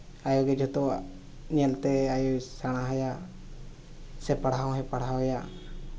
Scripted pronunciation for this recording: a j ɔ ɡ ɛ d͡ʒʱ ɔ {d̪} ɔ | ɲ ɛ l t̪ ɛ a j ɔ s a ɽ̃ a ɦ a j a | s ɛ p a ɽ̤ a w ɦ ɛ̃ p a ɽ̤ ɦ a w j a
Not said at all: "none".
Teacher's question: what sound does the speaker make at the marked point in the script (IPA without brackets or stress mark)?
t̪